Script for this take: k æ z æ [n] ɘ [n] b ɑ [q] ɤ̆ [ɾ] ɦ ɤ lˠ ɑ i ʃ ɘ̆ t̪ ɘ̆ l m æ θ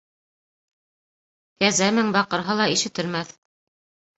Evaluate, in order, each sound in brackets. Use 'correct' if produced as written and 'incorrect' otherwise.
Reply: incorrect: m, incorrect: ŋ, correct, correct

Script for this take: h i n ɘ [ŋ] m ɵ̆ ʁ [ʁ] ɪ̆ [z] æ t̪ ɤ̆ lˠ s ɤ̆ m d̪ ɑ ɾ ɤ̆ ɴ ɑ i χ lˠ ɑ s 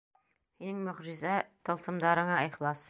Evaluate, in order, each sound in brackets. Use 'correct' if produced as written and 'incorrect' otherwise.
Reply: correct, incorrect: ʒ, correct

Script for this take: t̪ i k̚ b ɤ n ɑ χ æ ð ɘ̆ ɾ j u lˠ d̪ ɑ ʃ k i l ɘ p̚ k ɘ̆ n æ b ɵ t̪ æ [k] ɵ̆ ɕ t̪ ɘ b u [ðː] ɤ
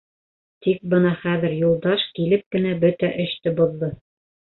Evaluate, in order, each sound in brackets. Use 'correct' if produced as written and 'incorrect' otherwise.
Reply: incorrect: ʔ, correct

